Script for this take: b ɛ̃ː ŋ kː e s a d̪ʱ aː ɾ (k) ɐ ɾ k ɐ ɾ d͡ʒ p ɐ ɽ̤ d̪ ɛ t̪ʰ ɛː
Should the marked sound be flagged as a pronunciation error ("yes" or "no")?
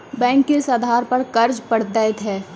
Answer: yes